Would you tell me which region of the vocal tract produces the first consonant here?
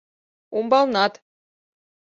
lips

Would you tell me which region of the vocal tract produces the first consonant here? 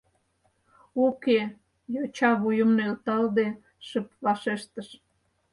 velum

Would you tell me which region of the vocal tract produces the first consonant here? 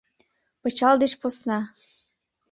lips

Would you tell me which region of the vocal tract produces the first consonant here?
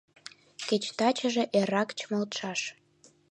velum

